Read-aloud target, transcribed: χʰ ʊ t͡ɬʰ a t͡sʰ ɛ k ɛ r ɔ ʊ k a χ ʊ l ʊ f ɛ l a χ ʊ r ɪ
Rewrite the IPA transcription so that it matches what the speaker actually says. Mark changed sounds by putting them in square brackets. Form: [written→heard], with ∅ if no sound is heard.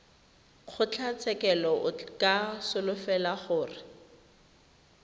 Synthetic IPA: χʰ ʊ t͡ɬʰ a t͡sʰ ɛ k ɛ [r→l] ɔ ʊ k a [χ→s] ʊ l ʊ f ɛ l a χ [ʊ→ʊː] r ɪ